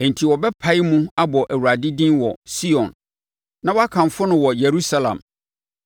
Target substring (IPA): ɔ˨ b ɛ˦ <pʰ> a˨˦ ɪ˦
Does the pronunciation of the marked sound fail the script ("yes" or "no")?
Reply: no